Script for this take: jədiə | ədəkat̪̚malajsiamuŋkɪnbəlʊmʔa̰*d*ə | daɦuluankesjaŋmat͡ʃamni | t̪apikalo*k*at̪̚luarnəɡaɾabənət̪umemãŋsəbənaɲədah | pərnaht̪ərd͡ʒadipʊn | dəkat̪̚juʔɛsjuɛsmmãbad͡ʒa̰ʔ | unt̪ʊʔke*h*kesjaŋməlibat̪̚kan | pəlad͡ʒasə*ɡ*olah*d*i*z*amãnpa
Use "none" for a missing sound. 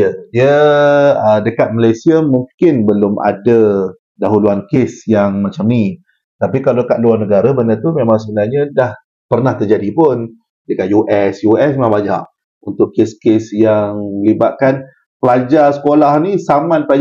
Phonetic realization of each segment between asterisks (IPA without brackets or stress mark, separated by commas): d, k, s, k, n, s